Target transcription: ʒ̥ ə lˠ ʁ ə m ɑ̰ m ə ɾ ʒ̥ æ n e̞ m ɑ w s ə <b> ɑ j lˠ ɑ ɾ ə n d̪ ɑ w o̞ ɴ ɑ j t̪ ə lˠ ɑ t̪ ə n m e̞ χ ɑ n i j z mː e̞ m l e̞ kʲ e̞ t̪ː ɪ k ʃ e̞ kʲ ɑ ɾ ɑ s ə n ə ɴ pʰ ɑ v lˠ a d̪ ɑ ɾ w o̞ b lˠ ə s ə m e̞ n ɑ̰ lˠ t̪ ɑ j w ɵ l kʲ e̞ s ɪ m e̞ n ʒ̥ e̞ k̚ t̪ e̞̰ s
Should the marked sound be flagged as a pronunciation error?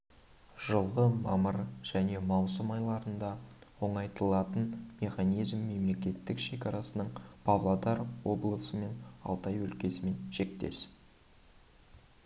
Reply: yes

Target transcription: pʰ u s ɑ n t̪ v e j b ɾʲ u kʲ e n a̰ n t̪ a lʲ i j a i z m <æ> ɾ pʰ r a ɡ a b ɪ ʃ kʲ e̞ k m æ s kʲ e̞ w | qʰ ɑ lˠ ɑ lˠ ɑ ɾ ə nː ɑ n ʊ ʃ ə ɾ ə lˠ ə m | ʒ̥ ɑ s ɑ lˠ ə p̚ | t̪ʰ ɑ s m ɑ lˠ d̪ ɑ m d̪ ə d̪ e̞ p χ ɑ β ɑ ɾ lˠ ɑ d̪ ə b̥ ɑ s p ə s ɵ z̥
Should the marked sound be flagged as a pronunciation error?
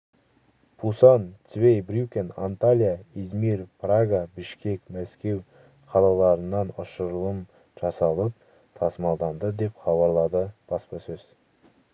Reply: yes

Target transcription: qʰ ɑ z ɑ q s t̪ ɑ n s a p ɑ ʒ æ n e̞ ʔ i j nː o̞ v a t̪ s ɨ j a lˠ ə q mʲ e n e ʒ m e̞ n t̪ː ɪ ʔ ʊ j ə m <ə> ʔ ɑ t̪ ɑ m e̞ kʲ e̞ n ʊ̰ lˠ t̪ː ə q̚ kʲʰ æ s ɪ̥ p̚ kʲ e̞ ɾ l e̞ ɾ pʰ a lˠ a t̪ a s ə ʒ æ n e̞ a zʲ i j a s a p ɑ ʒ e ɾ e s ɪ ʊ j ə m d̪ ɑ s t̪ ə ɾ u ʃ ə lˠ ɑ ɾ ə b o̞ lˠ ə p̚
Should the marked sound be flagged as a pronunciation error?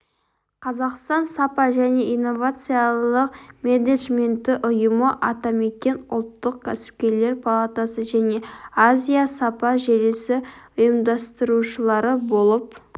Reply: no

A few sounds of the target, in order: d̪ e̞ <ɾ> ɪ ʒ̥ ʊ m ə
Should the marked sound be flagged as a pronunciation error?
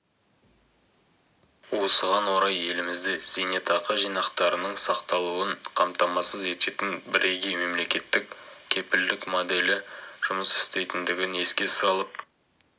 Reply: yes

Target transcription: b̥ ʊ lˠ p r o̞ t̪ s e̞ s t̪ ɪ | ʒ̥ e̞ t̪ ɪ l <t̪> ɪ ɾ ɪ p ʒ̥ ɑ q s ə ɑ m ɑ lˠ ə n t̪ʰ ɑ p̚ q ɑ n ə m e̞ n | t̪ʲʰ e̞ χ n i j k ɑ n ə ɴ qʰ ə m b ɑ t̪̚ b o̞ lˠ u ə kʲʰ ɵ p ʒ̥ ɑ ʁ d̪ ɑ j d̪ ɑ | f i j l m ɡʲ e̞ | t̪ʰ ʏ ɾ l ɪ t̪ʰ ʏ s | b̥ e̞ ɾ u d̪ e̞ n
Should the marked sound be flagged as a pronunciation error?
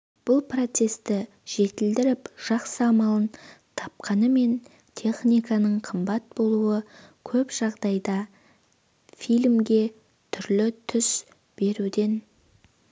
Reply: yes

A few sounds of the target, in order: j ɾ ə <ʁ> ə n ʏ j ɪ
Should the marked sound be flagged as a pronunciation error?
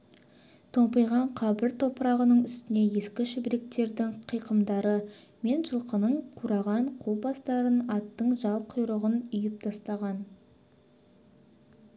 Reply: no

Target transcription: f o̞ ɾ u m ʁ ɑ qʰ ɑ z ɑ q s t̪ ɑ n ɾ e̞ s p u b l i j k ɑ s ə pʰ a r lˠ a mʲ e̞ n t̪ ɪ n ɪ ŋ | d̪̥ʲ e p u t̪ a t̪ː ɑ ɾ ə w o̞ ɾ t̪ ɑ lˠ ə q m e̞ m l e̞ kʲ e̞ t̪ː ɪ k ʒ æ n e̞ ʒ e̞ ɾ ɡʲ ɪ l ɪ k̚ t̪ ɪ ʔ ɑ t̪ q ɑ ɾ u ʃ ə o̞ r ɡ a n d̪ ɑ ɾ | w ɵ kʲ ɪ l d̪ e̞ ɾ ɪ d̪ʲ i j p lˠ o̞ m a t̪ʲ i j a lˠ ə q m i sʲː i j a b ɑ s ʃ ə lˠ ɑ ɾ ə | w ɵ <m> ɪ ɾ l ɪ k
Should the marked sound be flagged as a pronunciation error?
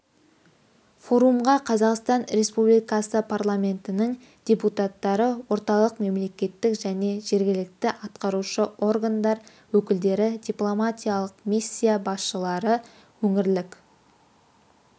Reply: yes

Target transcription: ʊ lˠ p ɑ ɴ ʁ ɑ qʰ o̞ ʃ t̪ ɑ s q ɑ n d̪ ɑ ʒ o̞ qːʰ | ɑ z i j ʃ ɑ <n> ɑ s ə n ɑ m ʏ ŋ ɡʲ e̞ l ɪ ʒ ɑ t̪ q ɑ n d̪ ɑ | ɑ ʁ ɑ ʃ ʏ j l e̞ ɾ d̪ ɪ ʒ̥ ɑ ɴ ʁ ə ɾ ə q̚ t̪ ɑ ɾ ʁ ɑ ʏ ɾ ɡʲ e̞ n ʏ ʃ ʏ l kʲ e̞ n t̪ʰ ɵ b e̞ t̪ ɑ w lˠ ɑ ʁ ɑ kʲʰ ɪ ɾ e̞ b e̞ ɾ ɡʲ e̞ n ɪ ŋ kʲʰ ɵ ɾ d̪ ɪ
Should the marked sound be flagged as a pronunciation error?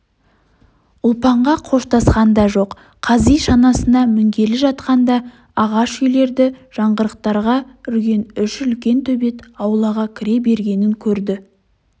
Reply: no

